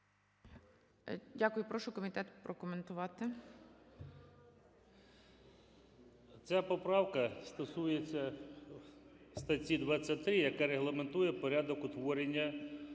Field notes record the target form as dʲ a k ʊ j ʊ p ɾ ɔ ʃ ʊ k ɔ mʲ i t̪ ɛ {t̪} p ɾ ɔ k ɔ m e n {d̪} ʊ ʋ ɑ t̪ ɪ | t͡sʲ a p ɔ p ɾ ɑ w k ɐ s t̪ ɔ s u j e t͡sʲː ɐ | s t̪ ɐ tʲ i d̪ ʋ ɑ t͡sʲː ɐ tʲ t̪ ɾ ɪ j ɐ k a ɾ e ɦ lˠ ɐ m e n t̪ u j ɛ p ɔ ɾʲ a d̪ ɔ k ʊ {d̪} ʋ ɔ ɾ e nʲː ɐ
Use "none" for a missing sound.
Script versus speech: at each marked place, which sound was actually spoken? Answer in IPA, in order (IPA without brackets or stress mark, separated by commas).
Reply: t̪, t̪, t̪